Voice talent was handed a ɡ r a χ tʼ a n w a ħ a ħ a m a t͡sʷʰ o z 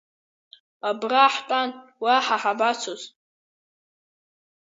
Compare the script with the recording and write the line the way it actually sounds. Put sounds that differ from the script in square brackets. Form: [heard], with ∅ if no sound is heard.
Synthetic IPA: a [b] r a [ħ] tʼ a n w a ħ a ħ a [b] a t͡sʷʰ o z